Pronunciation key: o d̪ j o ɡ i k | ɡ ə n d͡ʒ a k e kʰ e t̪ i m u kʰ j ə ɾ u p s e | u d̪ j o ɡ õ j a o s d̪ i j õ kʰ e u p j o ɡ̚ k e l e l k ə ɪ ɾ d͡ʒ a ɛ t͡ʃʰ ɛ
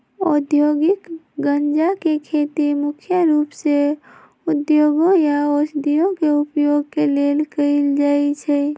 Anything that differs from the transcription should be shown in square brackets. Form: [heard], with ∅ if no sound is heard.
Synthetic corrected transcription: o d̪ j o ɡ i k | ɡ ə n d͡ʒ a k e kʰ e t̪ i m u kʰ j ə ɾ u p s e | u d̪ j o ɡ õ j a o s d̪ i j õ [k] e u p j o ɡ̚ k e l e l k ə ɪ [l] d͡ʒ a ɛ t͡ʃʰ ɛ